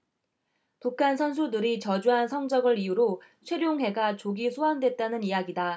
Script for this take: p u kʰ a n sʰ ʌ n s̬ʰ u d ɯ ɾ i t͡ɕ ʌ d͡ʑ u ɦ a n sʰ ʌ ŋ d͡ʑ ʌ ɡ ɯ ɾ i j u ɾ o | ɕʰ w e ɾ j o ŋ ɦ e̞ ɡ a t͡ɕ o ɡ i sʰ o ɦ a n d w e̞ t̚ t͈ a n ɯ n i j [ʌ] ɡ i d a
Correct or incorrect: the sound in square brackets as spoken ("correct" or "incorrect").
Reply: incorrect